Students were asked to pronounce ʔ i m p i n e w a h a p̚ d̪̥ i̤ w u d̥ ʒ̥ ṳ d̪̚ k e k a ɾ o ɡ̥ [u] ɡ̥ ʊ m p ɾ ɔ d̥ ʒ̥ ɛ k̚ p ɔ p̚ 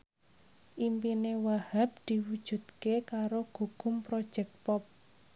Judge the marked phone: correct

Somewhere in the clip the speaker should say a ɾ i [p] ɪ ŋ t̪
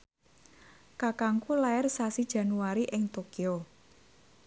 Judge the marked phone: incorrect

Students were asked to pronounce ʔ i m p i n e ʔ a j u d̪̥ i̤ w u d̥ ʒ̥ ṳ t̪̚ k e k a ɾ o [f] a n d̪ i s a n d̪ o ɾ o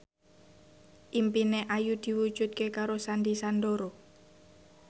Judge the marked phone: incorrect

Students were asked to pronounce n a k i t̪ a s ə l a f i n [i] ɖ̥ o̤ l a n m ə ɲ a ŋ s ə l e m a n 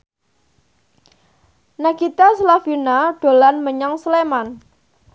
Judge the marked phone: incorrect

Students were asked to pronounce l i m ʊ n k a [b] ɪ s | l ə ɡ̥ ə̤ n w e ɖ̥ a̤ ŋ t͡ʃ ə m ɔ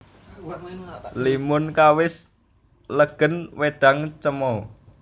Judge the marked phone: incorrect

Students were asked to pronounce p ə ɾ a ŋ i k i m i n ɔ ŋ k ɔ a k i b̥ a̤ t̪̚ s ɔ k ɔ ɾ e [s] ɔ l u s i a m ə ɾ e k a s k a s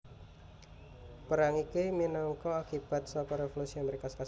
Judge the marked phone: incorrect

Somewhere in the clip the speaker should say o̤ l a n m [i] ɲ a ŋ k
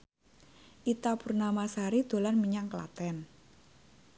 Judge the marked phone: correct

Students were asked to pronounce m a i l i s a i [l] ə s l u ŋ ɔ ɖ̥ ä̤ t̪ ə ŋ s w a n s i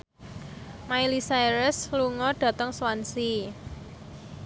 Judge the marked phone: incorrect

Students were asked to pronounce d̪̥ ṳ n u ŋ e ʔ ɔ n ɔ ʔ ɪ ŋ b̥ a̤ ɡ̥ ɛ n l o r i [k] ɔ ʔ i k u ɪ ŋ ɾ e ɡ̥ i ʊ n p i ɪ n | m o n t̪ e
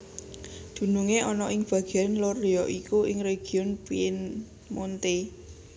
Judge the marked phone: incorrect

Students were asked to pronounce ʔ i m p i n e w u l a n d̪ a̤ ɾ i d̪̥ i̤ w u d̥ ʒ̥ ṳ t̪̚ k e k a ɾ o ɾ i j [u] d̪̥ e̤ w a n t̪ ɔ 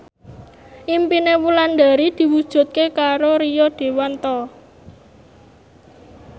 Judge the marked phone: incorrect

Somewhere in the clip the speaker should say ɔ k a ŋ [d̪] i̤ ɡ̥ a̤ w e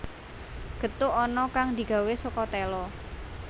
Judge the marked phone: correct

